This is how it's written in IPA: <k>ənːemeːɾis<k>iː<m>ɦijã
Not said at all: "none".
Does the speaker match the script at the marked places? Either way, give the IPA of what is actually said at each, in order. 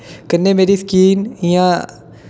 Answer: k, k, n

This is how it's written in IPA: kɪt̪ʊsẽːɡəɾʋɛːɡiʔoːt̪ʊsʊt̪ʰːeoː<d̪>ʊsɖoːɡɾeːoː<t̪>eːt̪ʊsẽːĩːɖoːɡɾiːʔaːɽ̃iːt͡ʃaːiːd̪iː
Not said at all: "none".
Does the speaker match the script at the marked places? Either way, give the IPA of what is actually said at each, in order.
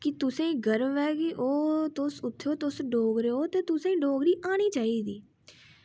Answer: t̪, t̪

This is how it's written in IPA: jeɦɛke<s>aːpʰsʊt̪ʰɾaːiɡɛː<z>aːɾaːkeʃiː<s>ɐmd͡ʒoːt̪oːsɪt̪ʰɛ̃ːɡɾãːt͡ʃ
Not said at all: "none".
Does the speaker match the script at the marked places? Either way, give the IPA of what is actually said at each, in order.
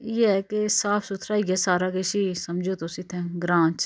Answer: s, s, s

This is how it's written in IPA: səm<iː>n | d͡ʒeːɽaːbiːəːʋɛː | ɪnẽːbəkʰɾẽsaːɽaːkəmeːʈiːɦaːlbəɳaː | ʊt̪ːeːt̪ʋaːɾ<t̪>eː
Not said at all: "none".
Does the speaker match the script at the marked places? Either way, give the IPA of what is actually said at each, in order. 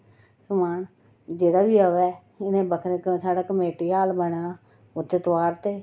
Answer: aː, t̪

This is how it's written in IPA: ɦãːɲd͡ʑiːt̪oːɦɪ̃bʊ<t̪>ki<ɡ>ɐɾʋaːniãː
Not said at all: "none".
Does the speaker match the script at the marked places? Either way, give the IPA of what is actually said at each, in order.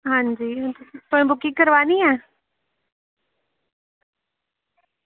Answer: none, k

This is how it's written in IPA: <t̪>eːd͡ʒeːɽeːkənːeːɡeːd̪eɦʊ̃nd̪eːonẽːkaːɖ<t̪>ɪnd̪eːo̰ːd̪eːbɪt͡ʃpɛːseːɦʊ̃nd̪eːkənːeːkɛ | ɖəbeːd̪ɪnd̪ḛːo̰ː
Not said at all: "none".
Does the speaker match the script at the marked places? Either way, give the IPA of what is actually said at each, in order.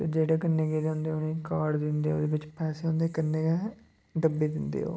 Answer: t̪, d̪

